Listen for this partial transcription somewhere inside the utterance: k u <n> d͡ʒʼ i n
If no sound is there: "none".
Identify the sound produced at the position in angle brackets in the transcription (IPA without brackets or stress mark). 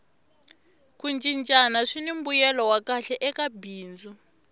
n